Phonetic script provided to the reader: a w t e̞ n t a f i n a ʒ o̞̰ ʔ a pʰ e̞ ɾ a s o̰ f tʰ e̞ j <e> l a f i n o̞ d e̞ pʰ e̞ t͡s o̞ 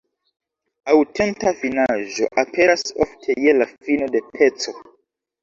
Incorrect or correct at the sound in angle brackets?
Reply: correct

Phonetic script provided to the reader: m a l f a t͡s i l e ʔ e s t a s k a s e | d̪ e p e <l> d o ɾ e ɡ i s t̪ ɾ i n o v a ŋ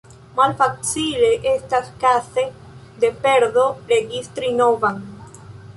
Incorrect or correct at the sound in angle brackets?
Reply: incorrect: ɾ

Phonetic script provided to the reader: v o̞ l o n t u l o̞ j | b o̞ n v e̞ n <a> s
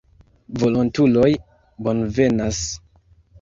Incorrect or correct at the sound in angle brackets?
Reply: correct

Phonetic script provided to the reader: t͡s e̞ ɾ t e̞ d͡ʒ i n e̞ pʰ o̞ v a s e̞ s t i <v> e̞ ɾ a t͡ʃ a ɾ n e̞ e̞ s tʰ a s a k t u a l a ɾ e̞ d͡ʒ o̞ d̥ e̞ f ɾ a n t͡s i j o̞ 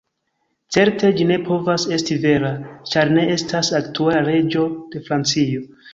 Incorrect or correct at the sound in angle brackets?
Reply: correct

